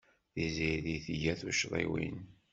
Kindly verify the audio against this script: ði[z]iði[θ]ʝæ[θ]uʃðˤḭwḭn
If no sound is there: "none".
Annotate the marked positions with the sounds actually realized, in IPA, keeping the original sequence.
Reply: z, θ, θ

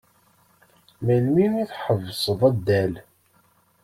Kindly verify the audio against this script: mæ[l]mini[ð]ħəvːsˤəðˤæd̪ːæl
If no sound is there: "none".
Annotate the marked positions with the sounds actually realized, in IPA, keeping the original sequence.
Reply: l, θ

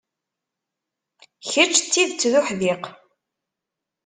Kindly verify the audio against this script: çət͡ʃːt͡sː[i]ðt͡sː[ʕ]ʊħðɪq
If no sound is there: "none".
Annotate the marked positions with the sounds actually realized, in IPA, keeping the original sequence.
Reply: i, ð

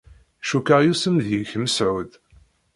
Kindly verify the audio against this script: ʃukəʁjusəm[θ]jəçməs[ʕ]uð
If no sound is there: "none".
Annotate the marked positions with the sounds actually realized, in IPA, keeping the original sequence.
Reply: ð, ʕ

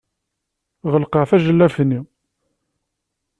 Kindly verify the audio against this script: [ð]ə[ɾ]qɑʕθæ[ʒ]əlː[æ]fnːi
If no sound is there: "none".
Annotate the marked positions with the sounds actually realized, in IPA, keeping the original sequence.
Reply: ʁ, l, ʒ, æ

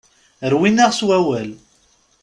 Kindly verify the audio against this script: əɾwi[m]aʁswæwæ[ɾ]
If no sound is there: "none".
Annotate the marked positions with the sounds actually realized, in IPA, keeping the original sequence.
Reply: n, l

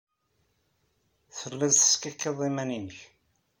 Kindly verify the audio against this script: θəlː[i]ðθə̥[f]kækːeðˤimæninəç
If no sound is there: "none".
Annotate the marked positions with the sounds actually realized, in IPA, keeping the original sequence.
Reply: æ, s

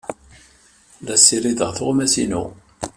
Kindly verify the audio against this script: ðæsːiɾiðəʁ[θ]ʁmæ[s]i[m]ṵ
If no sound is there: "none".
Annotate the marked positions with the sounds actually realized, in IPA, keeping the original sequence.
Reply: θ, s, n

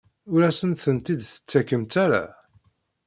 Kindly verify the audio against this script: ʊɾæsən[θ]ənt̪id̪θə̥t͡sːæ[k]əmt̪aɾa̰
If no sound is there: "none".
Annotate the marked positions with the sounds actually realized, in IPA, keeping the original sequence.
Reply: θ, k

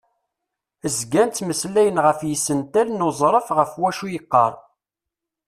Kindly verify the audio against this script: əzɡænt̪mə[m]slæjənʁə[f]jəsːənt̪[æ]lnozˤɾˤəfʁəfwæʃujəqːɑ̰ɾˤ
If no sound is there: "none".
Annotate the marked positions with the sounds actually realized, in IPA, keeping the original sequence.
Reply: none, f, æ

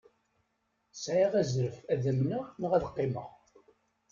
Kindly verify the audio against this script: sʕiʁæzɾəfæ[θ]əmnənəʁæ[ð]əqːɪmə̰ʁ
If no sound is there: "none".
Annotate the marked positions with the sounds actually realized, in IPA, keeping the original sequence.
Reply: ð, ð

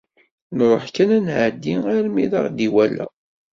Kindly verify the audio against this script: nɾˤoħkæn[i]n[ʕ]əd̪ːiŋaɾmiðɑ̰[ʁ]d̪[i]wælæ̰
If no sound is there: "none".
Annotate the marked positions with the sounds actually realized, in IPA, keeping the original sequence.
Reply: æ, ʕ, ʁ, i

